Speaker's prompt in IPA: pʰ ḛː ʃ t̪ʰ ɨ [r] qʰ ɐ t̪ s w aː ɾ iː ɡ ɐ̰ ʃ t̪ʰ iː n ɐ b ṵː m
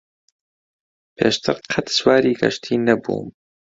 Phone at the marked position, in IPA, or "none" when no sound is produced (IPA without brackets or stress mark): ɾ